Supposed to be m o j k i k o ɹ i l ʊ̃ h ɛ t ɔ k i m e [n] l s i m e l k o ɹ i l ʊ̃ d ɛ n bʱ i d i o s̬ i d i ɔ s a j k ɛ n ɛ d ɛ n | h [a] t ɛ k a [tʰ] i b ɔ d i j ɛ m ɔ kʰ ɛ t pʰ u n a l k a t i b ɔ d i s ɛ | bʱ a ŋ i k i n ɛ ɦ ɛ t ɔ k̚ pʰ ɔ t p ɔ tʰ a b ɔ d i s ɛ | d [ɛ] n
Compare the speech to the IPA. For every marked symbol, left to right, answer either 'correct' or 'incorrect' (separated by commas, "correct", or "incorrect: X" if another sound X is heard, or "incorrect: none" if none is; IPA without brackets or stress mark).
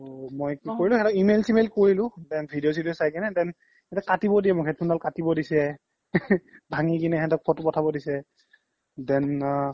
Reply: incorrect: none, incorrect: ɛ, incorrect: t, correct